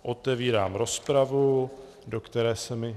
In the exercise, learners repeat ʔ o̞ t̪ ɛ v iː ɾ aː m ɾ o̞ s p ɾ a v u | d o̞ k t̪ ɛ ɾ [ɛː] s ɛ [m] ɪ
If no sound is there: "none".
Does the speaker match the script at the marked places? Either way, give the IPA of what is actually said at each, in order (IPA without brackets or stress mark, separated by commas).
ɛː, m